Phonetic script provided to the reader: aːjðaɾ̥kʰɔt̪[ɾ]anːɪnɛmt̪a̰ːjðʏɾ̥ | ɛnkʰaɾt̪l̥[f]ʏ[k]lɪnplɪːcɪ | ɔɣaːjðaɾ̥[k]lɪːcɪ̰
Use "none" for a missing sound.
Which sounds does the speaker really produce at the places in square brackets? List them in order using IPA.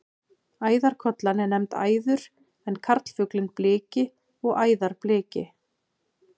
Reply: l, f, k, p

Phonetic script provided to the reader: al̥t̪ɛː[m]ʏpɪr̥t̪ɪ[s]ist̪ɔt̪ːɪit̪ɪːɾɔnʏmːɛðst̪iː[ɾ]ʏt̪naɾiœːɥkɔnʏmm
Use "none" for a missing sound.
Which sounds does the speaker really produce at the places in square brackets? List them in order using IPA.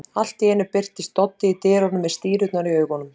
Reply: n, none, ɾ

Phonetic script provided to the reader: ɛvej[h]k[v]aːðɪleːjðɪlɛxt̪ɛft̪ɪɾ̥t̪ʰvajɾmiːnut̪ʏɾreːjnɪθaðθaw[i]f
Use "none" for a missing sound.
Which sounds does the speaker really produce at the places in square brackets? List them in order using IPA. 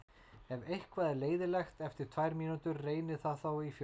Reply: h, v, i

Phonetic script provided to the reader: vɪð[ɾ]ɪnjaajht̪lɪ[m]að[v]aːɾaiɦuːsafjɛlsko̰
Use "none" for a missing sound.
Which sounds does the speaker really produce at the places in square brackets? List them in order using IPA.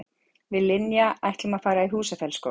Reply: l, m, f

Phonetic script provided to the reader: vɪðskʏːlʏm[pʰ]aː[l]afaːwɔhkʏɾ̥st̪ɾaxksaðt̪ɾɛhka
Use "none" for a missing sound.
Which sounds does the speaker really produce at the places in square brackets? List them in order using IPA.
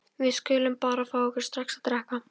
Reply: p, ɾ

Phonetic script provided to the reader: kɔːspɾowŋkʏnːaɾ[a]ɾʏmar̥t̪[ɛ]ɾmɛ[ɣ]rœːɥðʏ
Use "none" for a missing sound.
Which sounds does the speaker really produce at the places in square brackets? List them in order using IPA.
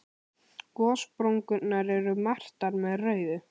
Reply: ɛ, a, ð

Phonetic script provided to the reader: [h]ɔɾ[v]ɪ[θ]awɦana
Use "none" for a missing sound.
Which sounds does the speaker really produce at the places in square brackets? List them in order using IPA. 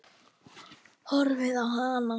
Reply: h, v, ð

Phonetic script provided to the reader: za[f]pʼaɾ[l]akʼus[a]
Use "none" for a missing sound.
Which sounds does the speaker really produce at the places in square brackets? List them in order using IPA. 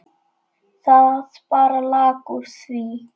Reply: s, l, i

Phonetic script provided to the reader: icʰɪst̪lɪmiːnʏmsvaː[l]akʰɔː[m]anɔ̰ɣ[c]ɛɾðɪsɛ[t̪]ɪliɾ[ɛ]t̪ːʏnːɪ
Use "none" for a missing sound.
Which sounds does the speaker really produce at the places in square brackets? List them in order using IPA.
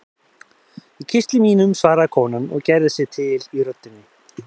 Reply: ɾ, n, c, t̪ʰ, œ

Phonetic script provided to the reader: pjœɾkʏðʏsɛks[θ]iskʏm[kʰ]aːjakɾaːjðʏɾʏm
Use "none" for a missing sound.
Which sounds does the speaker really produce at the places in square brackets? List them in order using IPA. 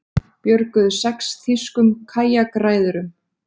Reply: θ, kʰ

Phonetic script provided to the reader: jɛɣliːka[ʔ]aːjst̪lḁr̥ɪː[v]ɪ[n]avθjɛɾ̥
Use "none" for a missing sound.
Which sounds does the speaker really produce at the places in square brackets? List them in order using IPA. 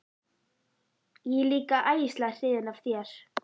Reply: ʔ, ð, n

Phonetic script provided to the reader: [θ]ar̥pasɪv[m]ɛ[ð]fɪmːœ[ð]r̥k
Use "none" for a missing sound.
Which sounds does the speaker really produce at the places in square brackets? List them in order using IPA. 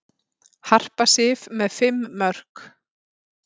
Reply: h, m, ð, none

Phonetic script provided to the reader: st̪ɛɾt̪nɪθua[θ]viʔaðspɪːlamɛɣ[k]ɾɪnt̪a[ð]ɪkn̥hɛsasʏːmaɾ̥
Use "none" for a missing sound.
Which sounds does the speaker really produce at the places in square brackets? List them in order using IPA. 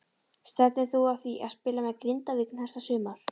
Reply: θ, k, v

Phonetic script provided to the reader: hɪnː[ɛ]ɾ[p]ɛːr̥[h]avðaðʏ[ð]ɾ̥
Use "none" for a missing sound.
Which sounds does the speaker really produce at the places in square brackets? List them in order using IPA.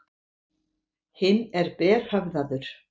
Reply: ɛ, p, h, none

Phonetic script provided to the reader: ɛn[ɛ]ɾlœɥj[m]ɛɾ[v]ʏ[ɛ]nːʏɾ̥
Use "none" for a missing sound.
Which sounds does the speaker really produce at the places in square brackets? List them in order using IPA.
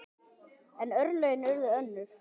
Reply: œ, n, ð, œ

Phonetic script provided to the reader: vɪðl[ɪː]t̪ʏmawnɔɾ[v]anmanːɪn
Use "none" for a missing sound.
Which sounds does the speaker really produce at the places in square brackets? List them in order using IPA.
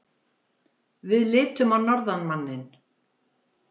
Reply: ɪː, ð

